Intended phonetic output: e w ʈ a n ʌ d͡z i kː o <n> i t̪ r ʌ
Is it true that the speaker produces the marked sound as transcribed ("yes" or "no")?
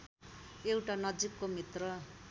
no